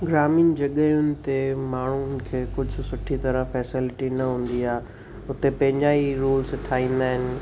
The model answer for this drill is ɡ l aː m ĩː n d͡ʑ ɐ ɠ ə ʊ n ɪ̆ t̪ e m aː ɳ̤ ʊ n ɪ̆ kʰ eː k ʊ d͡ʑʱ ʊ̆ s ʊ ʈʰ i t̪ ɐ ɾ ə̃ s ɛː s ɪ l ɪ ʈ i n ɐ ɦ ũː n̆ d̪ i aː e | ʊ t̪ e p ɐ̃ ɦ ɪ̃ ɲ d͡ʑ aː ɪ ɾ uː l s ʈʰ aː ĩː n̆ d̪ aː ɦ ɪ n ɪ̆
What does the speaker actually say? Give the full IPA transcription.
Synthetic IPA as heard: ɡ ɾ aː m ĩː n d͡ʑ ɐ ɠ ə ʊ n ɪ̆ t̪ e m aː ɳ̤ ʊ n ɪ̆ kʰ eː k ʊ d͡ʑʱ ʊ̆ s ʊ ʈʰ i t̪ ɐ ɾ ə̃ f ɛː s ɪ l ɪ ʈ i n ɐ ɦ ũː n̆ d̪ i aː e | ʊ t̪ e p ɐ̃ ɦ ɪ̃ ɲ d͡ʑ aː i ɾ uː l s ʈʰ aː ĩː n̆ d̪ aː ɦ ɪ n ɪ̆